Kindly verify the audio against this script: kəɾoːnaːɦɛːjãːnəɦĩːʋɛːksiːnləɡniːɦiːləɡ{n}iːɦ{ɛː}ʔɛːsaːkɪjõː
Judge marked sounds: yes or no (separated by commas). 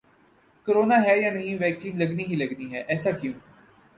yes, yes